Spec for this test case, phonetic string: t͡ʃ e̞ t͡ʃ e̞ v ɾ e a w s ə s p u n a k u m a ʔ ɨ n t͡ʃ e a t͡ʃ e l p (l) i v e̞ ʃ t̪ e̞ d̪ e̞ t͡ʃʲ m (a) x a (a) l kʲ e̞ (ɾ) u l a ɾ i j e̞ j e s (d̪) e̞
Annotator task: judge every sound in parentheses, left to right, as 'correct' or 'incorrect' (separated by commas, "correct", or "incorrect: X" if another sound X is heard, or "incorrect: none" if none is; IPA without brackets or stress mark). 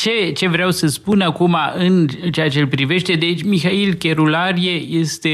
incorrect: ɾ, incorrect: i, incorrect: i, correct, incorrect: t̪